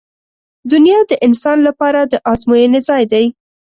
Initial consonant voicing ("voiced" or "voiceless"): voiced